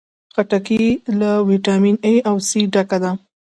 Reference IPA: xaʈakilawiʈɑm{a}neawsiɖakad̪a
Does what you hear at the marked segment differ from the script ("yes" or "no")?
yes